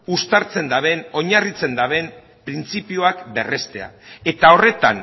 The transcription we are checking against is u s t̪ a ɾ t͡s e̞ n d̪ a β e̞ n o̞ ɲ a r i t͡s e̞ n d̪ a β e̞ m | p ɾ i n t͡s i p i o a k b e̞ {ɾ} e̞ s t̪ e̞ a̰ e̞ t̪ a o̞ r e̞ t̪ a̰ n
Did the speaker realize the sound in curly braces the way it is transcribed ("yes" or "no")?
no